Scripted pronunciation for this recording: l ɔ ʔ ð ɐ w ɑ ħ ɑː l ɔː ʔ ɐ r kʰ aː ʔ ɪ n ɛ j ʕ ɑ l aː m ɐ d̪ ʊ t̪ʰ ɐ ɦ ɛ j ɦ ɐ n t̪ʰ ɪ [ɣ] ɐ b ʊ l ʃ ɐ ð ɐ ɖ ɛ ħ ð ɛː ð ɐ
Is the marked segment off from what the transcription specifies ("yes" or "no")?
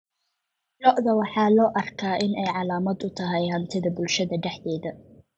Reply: yes